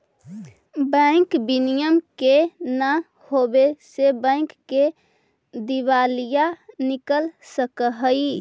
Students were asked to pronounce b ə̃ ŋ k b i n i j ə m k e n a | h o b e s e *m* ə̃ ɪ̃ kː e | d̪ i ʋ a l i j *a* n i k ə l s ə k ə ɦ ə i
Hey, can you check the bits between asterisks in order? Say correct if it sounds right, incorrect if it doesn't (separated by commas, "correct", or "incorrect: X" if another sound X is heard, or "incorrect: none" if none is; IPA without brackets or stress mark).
incorrect: b, correct